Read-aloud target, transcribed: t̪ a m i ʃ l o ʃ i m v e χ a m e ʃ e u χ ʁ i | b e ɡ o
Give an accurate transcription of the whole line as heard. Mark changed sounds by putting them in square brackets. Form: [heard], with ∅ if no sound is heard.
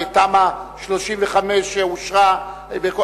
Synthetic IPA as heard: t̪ a m [a] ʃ l o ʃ i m v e χ a m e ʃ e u [ʃ] ʁ [a] | b e [k] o

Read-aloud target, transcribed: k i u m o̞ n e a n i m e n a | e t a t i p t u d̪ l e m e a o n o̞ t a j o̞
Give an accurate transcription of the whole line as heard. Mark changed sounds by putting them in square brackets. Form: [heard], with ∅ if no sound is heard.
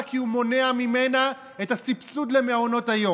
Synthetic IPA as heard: k i u m o̞ n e a [m] i m e n a | e t a [s] i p [s] u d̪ l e m e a o n o̞ t a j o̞

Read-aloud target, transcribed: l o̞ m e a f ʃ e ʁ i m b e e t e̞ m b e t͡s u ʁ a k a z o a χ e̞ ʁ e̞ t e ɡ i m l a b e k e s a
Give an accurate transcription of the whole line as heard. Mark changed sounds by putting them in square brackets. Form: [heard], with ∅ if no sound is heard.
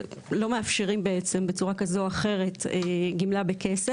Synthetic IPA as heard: l o̞ m e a f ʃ e ʁ i m b e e [t͡s] e̞ m b e t͡s u ʁ a k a z o a χ e̞ ʁ e̞ t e ɡ i m l a b e k e s [e]

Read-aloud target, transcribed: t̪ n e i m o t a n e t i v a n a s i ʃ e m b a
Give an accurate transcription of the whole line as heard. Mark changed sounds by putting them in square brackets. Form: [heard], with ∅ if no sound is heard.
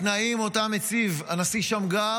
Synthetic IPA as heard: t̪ n [a] i m o t a [m] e [t͡s] i v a n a s i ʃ [a] m [ɡ] a

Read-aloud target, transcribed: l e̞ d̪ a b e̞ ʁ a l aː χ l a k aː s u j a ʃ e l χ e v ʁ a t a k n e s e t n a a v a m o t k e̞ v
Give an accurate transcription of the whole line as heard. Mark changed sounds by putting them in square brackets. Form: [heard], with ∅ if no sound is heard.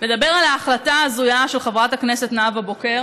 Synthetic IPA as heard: l e̞ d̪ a b e̞ ʁ a l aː χ l a [t] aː [z] u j a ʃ e l χ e v ʁ a t a k n e s e t n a a v a [b] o [∅] k e̞ [ʁ]

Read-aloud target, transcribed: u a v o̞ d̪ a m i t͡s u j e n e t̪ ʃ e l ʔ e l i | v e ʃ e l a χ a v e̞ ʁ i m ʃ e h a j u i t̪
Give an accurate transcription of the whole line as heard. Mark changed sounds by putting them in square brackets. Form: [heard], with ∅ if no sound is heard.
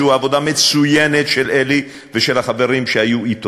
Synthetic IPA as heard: u a v o̞ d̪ a m [e] t͡s u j e n e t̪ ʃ e l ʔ e l i | v e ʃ e l a χ a v e̞ ʁ i m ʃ e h a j u i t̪

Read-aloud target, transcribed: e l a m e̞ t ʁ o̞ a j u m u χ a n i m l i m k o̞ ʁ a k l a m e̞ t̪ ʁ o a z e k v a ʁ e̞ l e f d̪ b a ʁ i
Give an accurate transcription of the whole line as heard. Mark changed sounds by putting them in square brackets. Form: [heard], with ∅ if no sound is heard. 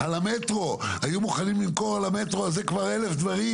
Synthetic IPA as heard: [a] l a m e̞ t ʁ o̞ a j u m u χ a n i m l i m k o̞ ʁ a [∅] l a m e̞ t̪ ʁ o a z e k v a ʁ e̞ l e f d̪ [v] a ʁ i

